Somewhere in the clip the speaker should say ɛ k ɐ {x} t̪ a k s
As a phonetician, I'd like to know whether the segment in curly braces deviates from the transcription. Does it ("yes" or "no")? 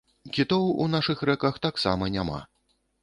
no